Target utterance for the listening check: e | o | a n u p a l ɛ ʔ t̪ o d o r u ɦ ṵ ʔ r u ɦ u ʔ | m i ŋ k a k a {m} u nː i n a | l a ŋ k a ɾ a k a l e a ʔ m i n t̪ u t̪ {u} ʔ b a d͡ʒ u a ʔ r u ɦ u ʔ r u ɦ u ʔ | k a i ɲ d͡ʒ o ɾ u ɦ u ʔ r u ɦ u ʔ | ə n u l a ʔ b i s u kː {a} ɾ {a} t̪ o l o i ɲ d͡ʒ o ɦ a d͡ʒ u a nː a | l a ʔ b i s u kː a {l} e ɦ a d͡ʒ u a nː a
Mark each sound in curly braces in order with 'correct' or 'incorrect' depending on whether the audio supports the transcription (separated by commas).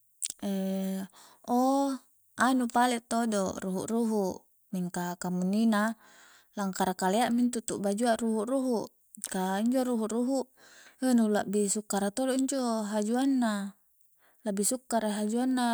correct, correct, correct, correct, incorrect